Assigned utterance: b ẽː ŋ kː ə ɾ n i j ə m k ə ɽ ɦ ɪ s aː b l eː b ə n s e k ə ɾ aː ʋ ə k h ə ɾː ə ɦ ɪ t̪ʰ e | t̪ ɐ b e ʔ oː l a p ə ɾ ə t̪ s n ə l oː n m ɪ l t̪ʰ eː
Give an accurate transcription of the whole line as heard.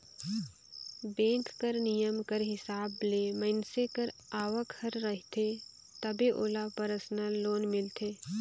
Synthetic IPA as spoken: b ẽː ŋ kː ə ɾ n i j ə m k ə ɾ ɦ ɪ s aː b l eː m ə n s e k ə ɾ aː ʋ ə k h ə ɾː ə ɦ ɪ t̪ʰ e | t̪ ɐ b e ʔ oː l a p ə ɾ ə s n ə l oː n m ɪ l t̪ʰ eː